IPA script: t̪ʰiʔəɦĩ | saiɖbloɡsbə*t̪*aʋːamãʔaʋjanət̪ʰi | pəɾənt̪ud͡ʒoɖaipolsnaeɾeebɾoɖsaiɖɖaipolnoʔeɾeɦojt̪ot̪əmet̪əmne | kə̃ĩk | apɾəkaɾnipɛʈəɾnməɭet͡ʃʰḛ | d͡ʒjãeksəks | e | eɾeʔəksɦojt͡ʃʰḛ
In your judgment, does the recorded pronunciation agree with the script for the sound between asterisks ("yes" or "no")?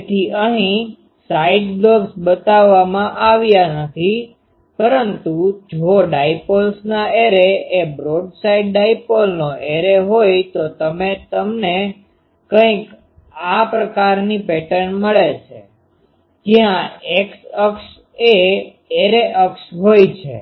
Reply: yes